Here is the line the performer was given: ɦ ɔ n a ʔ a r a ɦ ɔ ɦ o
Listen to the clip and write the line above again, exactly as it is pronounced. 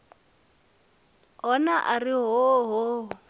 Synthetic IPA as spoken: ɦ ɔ n a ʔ a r i ɦ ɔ ɦ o